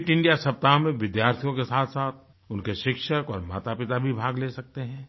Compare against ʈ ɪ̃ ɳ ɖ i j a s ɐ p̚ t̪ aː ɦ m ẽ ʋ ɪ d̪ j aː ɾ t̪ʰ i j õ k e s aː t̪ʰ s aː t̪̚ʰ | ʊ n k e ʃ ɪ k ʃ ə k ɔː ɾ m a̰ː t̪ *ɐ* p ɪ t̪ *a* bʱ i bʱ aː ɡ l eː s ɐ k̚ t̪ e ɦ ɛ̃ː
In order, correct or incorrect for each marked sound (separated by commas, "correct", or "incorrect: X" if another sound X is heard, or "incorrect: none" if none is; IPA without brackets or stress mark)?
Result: incorrect: a, correct